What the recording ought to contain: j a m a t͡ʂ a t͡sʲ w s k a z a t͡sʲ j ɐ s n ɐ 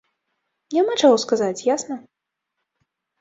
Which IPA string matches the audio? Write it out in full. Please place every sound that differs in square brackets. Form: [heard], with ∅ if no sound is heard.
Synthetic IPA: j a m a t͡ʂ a [∅] w s k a z a t͡sʲ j [a] s n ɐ

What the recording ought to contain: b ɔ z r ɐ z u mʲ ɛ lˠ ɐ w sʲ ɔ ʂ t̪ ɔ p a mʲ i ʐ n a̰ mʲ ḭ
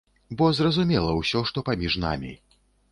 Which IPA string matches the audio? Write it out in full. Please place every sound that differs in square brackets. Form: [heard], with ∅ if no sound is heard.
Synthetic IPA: b ɔ z r ɐ z u mʲ ɛ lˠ ɐ w sʲ ɔ ʂ t̪ ɔ p a mʲ i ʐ n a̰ mʲ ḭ

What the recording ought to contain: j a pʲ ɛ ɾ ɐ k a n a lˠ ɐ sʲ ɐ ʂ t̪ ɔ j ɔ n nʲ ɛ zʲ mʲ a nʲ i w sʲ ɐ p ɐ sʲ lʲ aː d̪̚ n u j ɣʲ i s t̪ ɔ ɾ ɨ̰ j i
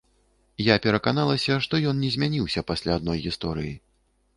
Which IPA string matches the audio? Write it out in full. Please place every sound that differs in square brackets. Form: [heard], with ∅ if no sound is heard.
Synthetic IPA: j a pʲ ɛ ɾ ɐ k a n a lˠ ɐ sʲ ɐ ʂ t̪ ɔ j ɔ n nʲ ɛ zʲ mʲ a nʲ i w sʲ ɐ p [a] sʲ lʲ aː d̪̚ n [ɔ] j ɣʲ i s t̪ ɔ ɾ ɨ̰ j i

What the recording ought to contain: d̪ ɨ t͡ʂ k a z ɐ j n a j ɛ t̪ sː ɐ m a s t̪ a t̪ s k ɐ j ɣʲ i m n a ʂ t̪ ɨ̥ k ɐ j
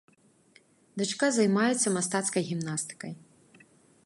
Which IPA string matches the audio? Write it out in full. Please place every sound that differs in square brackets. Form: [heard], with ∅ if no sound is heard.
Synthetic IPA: d̪ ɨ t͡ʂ k a z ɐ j [m] a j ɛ t̪ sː ɐ m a s t̪ a t̪ s k ɐ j ɣʲ i m n a [s] t̪ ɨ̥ k ɐ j

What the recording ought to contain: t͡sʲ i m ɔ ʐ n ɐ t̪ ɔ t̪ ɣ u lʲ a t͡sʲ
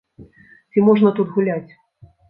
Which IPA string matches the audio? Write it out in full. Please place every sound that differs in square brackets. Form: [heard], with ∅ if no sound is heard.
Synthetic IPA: t͡sʲ i m ɔ ʐ n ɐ t̪ [u] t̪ ɣ u lʲ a t͡sʲ

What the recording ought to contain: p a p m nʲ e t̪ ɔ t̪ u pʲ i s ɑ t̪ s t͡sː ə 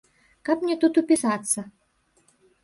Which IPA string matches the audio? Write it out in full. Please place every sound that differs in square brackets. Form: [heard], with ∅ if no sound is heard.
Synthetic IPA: [k] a p m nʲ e t̪ [u] t̪ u pʲ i s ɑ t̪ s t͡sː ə

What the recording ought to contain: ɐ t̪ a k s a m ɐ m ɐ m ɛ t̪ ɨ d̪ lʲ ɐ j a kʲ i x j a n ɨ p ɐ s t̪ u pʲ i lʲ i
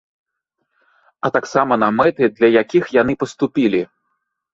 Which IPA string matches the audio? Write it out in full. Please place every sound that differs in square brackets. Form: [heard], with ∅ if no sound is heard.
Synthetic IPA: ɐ t̪ a k s a m ɐ [n] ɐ m ɛ t̪ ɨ d̪ lʲ ɐ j a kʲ i x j a n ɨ p ɐ s t̪ u pʲ i lʲ i

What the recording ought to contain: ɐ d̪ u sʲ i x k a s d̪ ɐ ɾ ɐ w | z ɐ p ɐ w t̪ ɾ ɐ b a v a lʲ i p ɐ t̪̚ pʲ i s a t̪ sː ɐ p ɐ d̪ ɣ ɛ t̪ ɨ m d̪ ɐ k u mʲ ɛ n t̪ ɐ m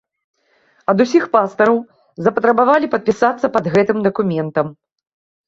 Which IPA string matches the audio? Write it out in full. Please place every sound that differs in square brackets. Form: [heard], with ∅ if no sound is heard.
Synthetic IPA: ɐ d̪ u sʲ i x [p] a s [t̪] ɐ ɾ ɐ w | z ɐ p ɐ [∅] t̪ ɾ ɐ b a v a lʲ i p ɐ t̪̚ pʲ i s a t̪ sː ɐ p ɐ d̪ ɣ ɛ t̪ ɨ m d̪ ɐ k u mʲ ɛ n t̪ ɐ m

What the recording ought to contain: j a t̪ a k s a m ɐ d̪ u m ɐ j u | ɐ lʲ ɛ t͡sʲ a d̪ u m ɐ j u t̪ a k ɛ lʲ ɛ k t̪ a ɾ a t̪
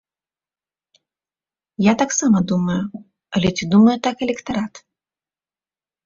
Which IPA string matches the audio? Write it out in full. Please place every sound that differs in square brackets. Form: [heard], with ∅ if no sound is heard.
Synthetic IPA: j a t̪ a k s a m ɐ d̪ u m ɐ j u | ɐ lʲ ɛ t͡sʲ [i] d̪ u m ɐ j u t̪ a k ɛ lʲ ɛ k t̪ a ɾ a t̪

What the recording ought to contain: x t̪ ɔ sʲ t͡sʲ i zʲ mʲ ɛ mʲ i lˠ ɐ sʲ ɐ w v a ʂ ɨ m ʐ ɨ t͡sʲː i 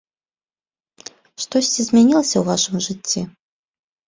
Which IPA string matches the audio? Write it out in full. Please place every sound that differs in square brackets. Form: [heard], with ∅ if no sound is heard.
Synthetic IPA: [ʂ] t̪ ɔ sʲ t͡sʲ i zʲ mʲ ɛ [nʲ] i lˠ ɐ sʲ ɐ w v a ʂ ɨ m ʐ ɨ t͡sʲː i

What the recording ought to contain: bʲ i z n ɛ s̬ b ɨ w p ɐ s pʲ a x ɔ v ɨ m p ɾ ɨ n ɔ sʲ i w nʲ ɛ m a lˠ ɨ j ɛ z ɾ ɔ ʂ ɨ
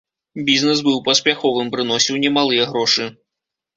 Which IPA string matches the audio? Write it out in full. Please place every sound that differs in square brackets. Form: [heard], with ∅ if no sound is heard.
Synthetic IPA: bʲ i z n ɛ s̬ b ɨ w p ɐ s pʲ a x ɔ v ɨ m p ɾ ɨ n ɔ sʲ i w nʲ ɛ m a lˠ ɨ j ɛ [ɣ] ɾ ɔ ʂ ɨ

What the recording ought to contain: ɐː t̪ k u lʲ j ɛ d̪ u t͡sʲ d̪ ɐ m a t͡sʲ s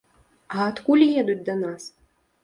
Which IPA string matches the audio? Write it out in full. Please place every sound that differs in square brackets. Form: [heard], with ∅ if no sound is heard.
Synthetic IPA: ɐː t̪ k u lʲ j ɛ d̪ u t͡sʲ d̪ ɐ [n] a [∅] s

